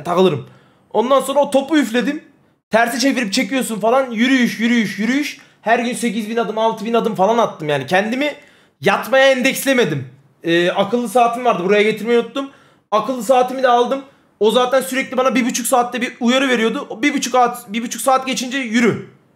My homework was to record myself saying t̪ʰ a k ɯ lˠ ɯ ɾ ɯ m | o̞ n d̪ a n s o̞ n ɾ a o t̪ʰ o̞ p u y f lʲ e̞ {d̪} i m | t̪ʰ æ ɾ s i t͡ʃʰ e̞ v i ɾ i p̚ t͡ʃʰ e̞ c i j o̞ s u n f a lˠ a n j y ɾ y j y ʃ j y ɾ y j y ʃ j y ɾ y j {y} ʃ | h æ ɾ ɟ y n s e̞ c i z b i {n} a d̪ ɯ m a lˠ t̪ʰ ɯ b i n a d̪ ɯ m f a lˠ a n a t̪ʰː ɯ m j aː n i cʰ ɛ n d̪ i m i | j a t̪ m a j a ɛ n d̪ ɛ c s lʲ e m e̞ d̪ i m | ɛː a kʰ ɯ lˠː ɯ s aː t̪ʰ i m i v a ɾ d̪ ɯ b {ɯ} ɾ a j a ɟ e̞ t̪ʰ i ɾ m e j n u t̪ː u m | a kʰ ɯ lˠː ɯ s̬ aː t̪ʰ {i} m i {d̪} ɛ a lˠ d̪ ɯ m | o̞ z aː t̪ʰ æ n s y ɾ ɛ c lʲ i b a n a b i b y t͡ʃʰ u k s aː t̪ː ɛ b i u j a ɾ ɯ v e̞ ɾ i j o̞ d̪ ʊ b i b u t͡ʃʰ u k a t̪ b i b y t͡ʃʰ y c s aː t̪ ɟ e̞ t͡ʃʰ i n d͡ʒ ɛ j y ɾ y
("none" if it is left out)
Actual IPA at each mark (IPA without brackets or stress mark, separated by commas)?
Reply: d̪, y, n, u, i, d̪